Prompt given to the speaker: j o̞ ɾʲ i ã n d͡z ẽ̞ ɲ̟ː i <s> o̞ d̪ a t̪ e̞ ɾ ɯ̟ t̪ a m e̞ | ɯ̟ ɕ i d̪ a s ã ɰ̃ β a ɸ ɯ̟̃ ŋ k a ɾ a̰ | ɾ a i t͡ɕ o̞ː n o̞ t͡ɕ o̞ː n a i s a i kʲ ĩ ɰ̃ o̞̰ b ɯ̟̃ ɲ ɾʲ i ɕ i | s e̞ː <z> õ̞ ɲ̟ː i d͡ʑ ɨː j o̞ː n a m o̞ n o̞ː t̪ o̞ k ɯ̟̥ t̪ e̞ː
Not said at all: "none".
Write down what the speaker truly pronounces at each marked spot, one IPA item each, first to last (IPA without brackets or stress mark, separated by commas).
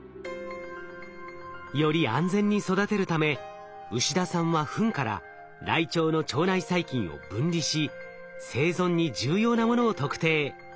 s, z